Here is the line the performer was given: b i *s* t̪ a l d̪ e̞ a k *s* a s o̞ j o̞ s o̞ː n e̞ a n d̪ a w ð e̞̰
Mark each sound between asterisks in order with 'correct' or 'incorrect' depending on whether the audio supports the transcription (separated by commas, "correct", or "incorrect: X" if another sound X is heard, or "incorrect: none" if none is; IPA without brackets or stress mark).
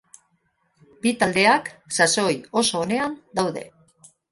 incorrect: none, correct